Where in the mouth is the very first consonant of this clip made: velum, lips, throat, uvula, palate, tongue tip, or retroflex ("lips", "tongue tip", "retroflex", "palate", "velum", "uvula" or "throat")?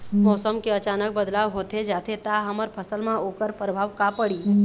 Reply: lips